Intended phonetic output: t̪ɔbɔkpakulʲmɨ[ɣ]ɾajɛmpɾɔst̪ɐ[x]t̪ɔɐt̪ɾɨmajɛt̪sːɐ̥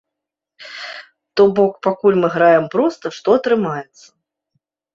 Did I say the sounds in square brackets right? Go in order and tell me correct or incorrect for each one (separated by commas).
correct, incorrect